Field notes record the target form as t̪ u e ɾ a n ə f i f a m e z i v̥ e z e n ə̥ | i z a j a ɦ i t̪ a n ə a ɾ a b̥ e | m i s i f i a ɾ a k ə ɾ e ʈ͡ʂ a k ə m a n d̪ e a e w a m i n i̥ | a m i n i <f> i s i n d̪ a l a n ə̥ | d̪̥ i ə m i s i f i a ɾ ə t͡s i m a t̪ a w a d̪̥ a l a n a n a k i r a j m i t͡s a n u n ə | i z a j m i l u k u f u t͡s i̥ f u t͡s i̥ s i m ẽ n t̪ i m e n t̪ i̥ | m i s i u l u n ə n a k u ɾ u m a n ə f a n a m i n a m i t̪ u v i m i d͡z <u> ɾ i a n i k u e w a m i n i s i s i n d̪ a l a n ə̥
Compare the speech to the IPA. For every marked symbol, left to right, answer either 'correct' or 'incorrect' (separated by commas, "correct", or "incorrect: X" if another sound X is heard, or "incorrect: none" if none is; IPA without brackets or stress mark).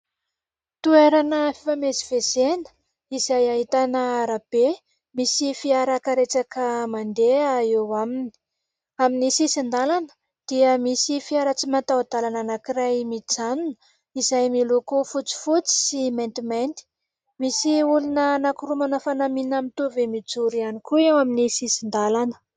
incorrect: s, correct